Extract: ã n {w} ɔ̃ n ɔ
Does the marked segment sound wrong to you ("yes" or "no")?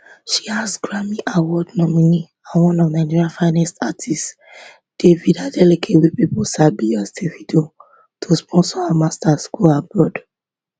no